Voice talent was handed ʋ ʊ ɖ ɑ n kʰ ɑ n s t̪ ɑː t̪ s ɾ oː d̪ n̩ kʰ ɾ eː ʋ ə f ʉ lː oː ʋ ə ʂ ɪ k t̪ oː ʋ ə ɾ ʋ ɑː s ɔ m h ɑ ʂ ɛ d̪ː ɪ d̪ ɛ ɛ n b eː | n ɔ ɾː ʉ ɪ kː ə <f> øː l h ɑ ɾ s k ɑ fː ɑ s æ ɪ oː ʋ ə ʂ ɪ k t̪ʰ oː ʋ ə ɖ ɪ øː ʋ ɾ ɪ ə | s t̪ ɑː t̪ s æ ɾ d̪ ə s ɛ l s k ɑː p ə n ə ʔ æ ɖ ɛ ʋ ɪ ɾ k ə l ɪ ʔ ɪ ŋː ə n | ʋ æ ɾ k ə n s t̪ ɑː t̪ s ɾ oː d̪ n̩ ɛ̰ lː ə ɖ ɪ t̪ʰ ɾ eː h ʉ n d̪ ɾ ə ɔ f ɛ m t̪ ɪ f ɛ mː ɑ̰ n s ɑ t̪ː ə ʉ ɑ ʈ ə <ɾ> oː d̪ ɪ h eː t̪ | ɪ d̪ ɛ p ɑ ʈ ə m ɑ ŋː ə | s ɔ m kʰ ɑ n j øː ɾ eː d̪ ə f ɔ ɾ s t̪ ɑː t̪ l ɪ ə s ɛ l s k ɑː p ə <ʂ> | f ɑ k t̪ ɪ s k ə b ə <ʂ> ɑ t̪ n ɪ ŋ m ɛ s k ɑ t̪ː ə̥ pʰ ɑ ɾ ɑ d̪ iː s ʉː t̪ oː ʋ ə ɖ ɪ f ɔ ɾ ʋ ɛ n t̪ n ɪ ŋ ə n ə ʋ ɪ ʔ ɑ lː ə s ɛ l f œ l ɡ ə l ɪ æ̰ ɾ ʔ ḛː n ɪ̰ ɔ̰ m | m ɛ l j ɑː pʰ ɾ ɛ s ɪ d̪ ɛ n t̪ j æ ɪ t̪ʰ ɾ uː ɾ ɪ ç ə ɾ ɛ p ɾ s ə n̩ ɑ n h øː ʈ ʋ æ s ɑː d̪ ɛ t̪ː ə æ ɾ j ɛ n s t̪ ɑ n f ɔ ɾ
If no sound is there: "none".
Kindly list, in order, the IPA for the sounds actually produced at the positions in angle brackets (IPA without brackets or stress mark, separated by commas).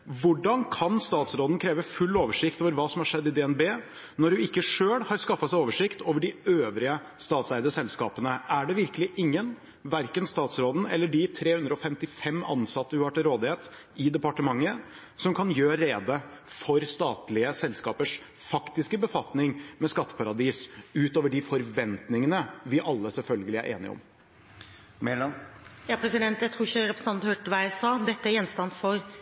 ʂ, ɾ, ʂ, f